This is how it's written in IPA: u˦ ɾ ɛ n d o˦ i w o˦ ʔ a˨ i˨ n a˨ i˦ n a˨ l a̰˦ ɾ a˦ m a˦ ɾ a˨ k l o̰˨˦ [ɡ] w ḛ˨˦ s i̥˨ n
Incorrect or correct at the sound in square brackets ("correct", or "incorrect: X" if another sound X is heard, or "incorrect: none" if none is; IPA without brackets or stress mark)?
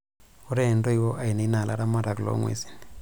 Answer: incorrect: ŋ